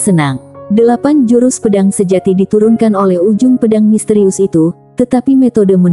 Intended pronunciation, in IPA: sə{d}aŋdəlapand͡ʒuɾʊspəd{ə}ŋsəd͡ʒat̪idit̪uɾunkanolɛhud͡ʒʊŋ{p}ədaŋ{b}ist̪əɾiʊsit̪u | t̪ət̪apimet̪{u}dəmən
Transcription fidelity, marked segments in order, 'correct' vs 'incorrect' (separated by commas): incorrect, incorrect, correct, incorrect, incorrect